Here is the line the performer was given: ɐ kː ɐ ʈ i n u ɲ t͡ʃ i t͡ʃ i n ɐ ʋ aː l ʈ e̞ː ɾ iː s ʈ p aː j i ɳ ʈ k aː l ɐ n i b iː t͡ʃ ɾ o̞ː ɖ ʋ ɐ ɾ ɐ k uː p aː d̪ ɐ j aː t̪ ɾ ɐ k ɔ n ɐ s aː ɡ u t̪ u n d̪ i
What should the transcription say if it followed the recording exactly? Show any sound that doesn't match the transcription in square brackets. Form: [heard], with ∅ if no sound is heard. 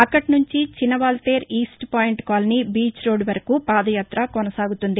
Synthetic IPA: ɐ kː ɐ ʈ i n u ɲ t͡ʃ i t͡ʃ i n ɐ ʋ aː l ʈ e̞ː ɾ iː s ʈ p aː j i ɳ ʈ k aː l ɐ n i b iː t͡ʃ ɾ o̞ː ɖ ʋ ɐ ɾ ɐ k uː p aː d̪ ɐ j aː t̪ ɾ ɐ k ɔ n ɐ s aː ɡ u t̪ u n d̪ i